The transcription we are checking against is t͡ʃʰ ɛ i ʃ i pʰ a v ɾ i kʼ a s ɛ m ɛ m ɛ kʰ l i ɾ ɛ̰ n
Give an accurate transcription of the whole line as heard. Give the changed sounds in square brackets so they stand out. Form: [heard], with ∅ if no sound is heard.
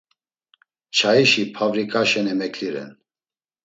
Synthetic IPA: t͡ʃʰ [a] i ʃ i pʰ a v ɾ i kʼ a [ʃ] ɛ [n] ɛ m ɛ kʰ l i ɾ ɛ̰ n